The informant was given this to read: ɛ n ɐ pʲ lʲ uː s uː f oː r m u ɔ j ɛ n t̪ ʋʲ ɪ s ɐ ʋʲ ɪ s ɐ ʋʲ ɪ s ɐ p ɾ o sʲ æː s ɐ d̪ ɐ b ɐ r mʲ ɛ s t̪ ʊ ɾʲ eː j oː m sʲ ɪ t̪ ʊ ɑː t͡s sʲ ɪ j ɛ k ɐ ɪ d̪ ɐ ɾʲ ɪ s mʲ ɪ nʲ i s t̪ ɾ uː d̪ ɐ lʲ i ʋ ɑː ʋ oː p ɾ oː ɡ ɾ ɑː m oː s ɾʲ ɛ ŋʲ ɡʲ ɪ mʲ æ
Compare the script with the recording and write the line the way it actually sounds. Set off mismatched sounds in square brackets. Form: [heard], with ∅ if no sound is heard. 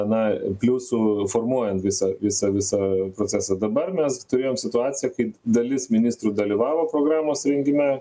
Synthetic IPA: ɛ n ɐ pʲ lʲ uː s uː f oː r m u ɔ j ɛ n t̪ ʋʲ ɪ s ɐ ʋʲ ɪ s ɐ ʋʲ ɪ s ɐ p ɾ o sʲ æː s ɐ d̪ ɐ b ɐ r mʲ ɛ s t̪ ʊ ɾʲ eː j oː m sʲ ɪ t̪ ʊ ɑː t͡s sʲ ɪ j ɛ k ɐ ɪ d̪ ɐ [lʲ] ɪ s mʲ ɪ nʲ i s t̪ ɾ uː d̪ ɐ lʲ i ʋ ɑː ʋ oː p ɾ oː ɡ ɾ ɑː m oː s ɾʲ ɛ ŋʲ ɡʲ ɪ mʲ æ